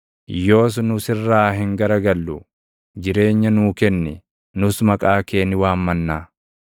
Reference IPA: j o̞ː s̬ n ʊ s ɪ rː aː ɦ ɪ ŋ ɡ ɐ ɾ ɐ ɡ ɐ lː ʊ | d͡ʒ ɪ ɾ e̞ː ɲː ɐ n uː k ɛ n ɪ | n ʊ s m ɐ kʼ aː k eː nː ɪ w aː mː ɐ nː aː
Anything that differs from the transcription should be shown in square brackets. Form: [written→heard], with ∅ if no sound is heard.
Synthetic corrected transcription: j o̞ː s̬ n ʊ s ɪ rː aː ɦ ɪ ŋ ɡ ɐ ɾ ɐ ɡ ɐ lː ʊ | d͡ʒ ɪ ɾ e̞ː ɲː ɐ n uː k ɛ [n→nː] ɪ | n ʊ s m ɐ kʼ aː k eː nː ɪ w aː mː ɐ nː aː